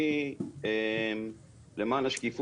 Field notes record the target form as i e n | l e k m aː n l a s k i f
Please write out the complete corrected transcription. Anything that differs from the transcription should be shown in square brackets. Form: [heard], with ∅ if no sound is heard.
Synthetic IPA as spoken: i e [m] | l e [∅] m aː n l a [ʃ] k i f